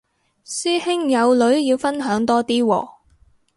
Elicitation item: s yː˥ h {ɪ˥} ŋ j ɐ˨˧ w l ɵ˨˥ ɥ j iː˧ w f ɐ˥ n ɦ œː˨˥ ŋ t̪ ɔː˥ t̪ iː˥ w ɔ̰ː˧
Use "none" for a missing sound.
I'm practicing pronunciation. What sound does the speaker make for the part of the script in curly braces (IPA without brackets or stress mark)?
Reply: ɪ˥